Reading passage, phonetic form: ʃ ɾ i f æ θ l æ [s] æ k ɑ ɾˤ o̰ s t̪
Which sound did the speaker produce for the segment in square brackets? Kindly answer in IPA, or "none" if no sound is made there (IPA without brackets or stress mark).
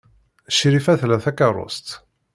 θ